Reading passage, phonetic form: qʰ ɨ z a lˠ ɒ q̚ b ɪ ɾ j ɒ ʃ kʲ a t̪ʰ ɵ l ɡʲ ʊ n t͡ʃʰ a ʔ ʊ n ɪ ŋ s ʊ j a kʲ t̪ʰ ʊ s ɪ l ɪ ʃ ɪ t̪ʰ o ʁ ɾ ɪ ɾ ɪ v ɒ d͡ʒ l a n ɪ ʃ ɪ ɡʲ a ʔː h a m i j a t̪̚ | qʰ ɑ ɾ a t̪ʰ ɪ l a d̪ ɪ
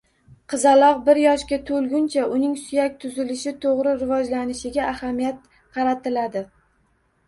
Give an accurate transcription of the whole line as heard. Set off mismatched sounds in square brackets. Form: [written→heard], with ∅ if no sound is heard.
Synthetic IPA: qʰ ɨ z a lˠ ɒ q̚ b ɪ ɾ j ɒ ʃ kʲ a t̪ʰ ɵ l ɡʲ ʊ n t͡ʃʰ a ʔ ʊ n ɪ ŋ s ʊ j a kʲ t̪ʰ ʊ [s→z] ɪ l ɪ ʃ ɪ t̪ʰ o ʁ ɾ ɪ ɾ ɪ v ɒ d͡ʒ l a n ɪ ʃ ɪ ɡʲ a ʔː h a m i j a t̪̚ | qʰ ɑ ɾ a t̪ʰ ɪ l a d̪ ɪ